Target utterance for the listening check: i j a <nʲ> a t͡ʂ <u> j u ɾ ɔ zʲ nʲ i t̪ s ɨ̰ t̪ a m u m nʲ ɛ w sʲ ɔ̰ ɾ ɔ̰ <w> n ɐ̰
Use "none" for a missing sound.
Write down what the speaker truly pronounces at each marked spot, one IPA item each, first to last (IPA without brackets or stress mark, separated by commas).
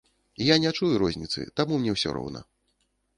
nʲ, u, w